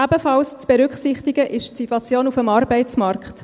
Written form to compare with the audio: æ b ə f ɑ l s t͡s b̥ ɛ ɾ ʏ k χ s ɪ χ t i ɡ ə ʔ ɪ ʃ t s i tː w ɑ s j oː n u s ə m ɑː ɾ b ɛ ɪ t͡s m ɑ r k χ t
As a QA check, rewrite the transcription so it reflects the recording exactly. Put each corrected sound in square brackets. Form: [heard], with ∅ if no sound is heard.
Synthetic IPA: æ b ə f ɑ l s t͡s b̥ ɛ ɾ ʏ k χ s ɪ χ t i ɡ ə ʔ ɪ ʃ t s i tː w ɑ [t͡s] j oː n u [f] ə m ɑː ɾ b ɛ ɪ t͡s m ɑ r k χ t